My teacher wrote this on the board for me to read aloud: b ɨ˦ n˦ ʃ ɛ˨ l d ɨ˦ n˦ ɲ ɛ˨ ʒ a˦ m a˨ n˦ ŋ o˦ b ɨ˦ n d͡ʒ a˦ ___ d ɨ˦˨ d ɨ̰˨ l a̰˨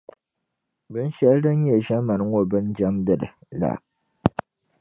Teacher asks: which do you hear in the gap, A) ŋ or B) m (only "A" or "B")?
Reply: B